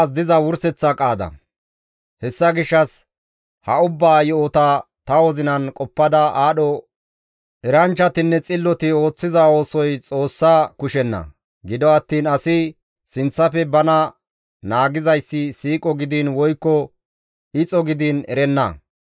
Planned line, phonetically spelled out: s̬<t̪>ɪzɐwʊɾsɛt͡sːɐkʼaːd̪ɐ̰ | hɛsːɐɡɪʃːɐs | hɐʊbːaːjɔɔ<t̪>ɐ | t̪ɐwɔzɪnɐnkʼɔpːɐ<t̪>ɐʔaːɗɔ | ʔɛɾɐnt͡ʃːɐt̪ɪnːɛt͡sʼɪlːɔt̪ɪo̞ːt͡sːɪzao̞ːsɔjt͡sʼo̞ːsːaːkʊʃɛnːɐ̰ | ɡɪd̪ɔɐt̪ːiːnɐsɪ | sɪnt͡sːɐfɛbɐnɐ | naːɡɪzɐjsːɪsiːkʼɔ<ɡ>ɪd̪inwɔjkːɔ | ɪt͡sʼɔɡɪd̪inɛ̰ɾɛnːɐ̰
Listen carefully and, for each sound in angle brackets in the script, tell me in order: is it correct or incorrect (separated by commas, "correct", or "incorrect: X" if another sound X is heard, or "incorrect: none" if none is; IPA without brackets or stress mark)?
incorrect: d̪, correct, incorrect: d̪, correct